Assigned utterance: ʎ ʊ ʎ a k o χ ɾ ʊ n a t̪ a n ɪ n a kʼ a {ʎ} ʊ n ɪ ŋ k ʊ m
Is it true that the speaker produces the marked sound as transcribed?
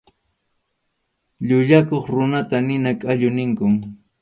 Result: yes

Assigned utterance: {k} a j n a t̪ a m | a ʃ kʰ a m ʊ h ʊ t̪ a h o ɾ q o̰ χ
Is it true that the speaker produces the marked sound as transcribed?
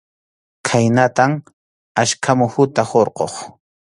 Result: no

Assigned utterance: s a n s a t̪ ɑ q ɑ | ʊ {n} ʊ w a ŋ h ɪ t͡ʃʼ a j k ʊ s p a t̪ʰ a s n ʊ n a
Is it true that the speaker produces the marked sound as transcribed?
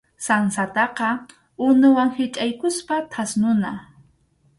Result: yes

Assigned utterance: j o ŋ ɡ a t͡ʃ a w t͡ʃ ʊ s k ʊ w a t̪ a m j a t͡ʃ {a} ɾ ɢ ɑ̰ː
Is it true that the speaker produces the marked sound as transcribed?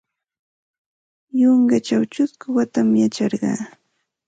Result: no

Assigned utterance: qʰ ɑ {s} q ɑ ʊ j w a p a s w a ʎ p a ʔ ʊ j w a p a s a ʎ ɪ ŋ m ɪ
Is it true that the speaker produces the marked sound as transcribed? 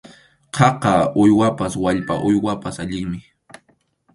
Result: no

